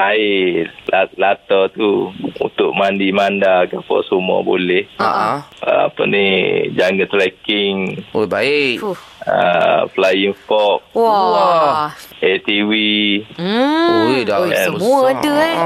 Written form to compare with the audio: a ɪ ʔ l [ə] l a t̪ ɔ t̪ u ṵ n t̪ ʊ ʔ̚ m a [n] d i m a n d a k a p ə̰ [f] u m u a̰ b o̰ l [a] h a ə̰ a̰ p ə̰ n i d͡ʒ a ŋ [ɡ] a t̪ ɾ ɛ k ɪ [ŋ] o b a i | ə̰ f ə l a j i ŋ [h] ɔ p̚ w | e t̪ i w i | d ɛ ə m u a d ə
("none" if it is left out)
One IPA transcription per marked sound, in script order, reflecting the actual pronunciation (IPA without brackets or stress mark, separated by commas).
a, n, s, ɛ, ɡ, ŋ, f